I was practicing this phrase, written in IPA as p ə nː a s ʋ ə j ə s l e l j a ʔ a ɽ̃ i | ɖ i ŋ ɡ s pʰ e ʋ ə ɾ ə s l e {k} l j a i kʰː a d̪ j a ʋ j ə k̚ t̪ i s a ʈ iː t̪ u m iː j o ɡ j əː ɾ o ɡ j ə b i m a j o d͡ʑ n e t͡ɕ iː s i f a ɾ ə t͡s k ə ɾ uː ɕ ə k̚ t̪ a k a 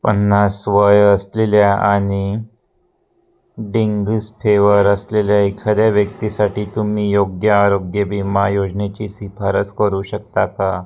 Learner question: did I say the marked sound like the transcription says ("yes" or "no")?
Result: no